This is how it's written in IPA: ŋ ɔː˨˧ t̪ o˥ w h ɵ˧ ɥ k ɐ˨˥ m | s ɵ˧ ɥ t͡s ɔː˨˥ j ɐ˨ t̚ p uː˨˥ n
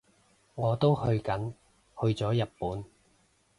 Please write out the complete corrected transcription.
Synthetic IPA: ŋ ɔː˨˧ t̪ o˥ w h ɵ˧ ɥ k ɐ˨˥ n | h ɵ˧ ɥ t͡s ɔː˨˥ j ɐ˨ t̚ p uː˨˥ n